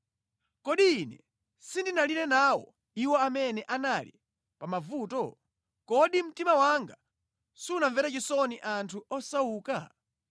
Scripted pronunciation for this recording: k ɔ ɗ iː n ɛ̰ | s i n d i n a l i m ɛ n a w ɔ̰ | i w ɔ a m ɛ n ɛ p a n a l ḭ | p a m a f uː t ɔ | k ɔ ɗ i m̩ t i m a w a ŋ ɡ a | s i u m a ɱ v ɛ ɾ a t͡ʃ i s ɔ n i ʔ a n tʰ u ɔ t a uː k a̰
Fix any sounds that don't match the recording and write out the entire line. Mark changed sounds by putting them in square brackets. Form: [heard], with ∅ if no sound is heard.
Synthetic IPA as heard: k ɔ ɗ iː n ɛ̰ | s i n d i n a l i [n] ɛ n a w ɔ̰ | i w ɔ a m ɛ n ɛ [ʔ] a n a l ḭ | p a m a [v] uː t ɔ | k ɔ ɗ i m̩ t i m a w a ŋ ɡ a | s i u [n] a ɱ v ɛ ɾ a t͡ʃ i s ɔ n i ʔ a n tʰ u ɔ [s] a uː k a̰